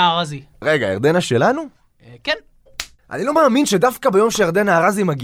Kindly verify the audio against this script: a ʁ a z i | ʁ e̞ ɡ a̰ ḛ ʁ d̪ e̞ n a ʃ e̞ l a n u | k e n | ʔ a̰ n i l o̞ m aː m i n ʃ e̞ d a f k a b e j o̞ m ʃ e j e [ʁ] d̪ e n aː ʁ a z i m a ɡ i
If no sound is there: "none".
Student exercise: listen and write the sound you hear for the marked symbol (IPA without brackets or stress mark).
ʁ